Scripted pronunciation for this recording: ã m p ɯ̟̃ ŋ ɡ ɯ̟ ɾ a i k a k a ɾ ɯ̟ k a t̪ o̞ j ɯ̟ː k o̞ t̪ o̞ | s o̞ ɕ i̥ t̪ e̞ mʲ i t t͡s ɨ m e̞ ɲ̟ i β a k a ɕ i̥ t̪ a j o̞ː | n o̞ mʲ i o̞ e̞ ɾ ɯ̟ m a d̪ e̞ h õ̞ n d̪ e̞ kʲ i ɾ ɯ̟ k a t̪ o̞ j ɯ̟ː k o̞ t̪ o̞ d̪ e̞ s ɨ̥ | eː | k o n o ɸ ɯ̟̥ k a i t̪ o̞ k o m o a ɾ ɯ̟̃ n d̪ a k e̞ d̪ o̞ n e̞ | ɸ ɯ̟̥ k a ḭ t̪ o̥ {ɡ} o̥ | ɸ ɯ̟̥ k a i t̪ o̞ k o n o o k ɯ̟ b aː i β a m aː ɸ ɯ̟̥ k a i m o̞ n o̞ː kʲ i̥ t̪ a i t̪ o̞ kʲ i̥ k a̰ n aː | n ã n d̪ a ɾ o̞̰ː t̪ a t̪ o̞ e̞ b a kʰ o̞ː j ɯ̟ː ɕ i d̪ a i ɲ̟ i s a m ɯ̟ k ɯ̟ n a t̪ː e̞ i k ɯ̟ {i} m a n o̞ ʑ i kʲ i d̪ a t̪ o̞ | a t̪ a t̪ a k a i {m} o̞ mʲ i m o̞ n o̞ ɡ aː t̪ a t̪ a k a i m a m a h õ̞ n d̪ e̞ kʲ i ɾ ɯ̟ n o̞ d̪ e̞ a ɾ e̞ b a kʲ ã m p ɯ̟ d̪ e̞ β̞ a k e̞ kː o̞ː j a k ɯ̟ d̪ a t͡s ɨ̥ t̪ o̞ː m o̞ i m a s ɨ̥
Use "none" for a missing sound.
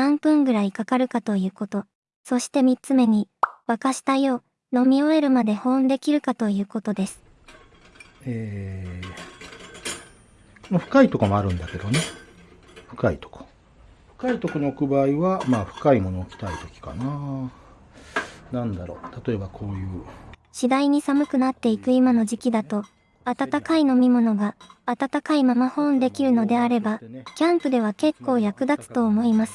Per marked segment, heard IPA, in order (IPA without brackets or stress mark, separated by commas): k, i, n